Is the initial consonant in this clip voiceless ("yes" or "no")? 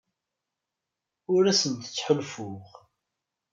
no